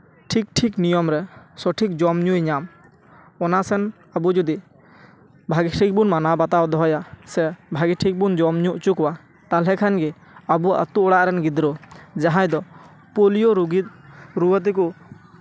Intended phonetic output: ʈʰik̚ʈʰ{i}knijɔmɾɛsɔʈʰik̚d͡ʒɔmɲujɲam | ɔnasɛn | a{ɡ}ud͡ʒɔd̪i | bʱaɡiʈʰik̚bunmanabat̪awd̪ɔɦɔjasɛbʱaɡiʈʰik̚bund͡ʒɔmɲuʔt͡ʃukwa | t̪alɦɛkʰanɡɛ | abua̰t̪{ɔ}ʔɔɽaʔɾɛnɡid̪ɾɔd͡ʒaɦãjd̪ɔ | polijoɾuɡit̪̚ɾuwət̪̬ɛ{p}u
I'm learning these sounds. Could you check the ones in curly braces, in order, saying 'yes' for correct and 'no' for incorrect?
yes, no, no, no

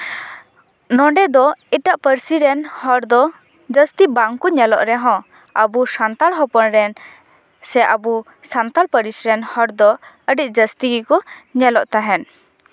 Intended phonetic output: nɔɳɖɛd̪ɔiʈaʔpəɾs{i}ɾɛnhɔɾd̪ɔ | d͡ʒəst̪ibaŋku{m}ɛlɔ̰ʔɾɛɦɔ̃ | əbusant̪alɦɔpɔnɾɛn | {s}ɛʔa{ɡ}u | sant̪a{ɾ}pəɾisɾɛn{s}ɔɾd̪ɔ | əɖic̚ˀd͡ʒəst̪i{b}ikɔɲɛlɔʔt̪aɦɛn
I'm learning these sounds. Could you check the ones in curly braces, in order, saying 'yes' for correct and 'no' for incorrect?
yes, no, yes, no, no, no, no

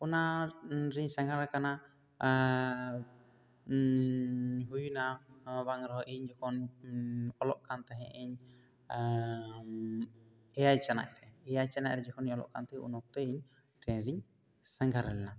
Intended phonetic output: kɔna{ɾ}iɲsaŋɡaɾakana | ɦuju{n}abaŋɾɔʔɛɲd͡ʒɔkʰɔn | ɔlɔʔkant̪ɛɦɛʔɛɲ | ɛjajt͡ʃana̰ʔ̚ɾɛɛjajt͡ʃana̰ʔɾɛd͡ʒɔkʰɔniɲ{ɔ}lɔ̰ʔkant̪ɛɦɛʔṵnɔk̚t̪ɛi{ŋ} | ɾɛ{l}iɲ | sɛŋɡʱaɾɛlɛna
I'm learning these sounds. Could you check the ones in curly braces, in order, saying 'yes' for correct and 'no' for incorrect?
yes, yes, yes, no, no

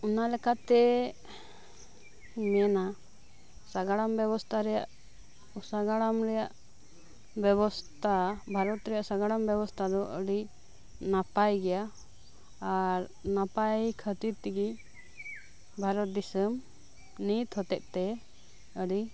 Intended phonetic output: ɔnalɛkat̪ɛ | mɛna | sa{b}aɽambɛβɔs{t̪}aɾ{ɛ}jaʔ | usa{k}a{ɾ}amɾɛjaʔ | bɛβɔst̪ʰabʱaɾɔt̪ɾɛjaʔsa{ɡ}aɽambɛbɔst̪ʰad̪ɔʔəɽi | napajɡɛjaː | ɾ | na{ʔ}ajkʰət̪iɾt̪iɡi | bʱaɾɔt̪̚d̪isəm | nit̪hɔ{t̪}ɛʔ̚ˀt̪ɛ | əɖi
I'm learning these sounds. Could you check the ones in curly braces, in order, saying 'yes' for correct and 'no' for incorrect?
no, no, yes, no, no, yes, no, yes

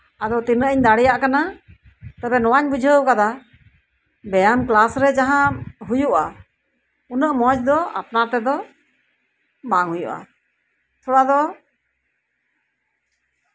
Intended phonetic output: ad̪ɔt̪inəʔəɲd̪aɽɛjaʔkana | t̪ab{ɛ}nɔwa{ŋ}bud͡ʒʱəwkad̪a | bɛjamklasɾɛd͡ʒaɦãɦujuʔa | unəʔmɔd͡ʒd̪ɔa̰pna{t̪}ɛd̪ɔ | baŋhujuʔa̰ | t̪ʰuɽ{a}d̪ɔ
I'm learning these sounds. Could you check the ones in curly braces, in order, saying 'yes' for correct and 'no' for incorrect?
yes, no, yes, yes

